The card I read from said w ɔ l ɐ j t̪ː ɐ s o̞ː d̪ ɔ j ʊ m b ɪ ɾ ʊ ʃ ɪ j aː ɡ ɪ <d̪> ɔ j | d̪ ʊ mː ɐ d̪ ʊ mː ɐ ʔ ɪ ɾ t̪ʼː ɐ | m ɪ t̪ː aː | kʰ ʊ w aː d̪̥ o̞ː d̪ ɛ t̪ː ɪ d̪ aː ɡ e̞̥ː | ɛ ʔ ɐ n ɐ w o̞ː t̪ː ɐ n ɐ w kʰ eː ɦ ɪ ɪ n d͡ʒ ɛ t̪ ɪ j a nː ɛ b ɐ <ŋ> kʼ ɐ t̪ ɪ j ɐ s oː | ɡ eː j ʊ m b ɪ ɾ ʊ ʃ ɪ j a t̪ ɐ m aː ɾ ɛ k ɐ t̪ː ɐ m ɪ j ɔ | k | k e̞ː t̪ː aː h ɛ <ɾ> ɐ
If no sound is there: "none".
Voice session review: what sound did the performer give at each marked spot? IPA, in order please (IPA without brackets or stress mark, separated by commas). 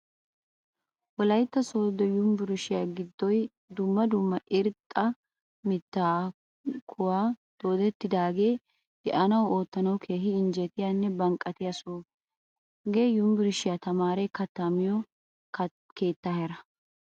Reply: d̪ː, ŋ, ɾ